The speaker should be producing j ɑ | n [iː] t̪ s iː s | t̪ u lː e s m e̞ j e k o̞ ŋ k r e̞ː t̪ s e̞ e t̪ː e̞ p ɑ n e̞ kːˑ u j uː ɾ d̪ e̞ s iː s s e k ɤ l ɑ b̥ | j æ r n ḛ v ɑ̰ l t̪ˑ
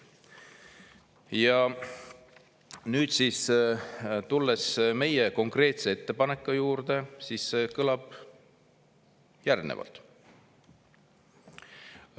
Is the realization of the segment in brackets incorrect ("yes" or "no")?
yes